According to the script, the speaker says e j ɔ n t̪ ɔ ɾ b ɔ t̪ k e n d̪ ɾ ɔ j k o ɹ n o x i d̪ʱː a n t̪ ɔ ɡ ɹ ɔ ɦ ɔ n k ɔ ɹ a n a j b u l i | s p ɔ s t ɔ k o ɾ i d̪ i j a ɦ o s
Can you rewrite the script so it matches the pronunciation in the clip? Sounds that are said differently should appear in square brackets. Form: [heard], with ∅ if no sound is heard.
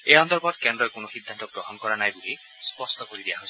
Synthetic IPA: e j ɔ n t̪ ɔ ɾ b ɔ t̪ k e n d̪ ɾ ɔ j k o [∅] n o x i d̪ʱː a n t̪ ɔ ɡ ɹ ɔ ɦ ɔ n k ɔ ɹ a n a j b u l i | s p ɔ s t ɔ k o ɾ i d̪ i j a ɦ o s